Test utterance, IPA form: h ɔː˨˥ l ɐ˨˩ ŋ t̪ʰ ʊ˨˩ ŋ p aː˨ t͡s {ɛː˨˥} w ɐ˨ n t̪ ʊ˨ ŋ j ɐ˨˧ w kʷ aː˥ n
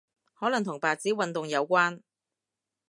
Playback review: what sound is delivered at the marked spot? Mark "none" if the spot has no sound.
iː˨˥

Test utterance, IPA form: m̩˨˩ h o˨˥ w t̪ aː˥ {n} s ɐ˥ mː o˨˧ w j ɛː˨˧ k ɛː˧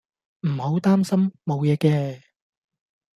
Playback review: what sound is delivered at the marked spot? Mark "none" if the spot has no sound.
m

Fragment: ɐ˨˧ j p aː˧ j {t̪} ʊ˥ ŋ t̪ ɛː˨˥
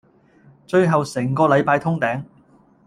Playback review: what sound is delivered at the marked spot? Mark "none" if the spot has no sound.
t̪ʰ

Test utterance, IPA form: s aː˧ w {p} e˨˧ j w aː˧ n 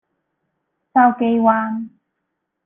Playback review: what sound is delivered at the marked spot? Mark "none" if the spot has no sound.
k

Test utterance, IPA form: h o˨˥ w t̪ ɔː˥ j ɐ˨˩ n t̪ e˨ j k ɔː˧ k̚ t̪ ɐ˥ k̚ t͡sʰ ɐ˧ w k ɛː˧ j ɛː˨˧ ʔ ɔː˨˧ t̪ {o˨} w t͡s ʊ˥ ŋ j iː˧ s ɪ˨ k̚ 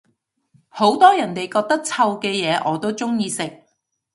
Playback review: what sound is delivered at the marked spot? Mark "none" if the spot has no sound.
o˥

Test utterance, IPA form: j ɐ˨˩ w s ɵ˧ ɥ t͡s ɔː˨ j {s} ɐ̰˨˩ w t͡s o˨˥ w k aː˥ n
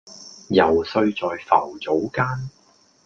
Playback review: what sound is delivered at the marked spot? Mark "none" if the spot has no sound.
f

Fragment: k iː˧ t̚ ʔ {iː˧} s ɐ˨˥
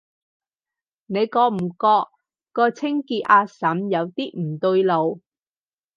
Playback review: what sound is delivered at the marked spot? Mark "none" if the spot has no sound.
aː˧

